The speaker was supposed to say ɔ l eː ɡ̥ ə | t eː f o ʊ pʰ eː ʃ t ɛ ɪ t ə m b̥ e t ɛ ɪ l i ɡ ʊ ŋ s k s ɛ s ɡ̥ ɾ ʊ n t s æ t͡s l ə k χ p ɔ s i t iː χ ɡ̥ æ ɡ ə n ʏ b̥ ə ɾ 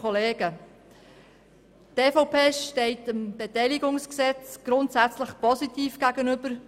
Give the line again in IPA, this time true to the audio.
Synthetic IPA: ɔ l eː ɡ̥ ə | t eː f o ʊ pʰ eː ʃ t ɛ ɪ t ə m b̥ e t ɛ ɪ l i ɡ ʊ ŋ s k s ɛ t͡s ɡ̥ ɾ ʊ n t s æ t͡s l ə χ p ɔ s i t iː f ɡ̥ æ ɡ ə n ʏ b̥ ə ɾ

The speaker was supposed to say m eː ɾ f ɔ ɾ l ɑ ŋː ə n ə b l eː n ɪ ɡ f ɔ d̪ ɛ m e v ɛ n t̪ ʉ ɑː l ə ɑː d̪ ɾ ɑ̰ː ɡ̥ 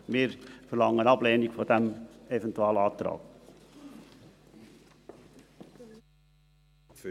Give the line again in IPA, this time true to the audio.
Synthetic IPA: m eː ɾ f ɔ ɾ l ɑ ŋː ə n ɑ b l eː n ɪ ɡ f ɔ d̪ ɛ m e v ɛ n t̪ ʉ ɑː l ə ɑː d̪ ɾ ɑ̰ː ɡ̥

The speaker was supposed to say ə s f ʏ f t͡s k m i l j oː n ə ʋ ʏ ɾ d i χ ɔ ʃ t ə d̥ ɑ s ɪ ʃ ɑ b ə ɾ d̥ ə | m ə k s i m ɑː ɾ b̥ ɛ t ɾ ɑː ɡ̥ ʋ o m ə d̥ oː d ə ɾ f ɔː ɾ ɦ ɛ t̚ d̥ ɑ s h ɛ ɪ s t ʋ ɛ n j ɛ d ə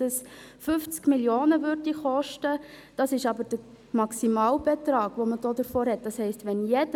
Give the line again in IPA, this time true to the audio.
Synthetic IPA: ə s f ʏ f t͡s k m i l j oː n ə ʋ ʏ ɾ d i χ ɔ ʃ t ə d̥ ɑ s ɪ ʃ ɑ b ə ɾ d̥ ə | m ɑ k s i m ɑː l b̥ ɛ t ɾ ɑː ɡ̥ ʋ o m ə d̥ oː d ə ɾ f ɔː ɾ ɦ ɛ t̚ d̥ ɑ s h ɛ ɪ s t ʋ ɛ n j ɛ d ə

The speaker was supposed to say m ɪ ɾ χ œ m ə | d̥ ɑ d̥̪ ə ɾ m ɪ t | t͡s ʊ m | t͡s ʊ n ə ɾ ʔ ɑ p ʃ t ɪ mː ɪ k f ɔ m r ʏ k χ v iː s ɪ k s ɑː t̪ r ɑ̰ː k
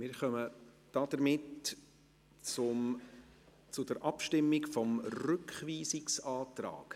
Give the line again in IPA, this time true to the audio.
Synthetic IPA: m ɪ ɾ χ œ m ə | d̥ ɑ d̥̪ ə ɾ m ɪ t | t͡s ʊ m | t͡s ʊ d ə ɾ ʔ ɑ p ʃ t ɪ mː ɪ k f ɔ m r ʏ k χ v iː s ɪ k s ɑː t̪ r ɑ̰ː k

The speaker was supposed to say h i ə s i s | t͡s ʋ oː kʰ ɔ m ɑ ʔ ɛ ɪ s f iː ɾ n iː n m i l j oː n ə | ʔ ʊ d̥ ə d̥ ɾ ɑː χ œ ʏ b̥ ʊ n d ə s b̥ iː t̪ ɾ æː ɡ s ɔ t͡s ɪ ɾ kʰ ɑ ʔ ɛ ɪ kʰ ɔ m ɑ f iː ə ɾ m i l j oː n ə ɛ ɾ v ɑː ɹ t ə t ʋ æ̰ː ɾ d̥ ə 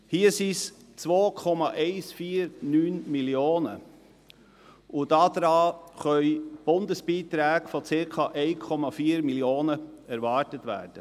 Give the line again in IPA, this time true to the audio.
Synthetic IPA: h i ə s i s | t͡s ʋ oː kʰ ɔ m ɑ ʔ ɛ ɪ s f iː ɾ n yː n m i l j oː n ə | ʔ ʊ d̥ ɑ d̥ ɾ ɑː χ œ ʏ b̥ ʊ n d ə s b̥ iː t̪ ɾ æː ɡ f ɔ t͡s ɪ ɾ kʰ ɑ ʔ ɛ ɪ kʰ ɔ m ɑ f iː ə ɾ m i l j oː n ə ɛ ɾ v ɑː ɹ t ə t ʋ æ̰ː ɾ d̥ ə

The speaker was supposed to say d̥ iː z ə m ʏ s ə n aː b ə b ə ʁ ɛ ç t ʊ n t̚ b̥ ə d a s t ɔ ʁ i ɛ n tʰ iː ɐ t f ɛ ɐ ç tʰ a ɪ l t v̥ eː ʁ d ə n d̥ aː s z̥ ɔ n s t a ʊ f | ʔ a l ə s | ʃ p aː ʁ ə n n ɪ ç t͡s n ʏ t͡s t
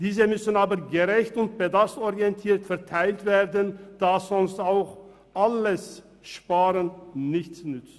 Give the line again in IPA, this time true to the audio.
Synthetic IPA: d̥ iː z ə m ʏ s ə n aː b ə ɡ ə ʁ ɛ ç t ʊ n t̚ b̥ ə d a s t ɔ ʁ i ɛ n tʰ iː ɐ t f ɛ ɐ tʰ a ɪ l t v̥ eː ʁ d ə n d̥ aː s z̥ ɔ n s t a ʊ x | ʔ a l ə s | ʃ p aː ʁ ə n n ɪ ç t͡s n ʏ t͡s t

